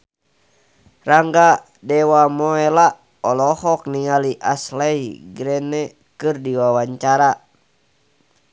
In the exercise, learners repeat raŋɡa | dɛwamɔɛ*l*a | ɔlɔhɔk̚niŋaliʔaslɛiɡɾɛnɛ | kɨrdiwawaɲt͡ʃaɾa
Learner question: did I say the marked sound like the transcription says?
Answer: yes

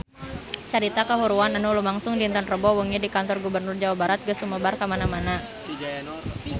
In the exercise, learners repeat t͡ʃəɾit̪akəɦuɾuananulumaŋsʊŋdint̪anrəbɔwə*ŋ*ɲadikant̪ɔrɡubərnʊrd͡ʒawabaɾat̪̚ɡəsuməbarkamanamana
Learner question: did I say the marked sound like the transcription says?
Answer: yes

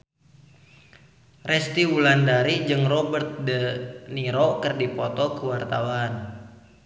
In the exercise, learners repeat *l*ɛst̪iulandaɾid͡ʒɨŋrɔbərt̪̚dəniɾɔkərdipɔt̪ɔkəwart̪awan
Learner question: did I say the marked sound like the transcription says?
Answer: no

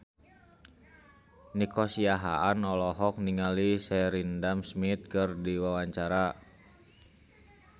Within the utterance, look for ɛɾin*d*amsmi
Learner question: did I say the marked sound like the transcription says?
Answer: yes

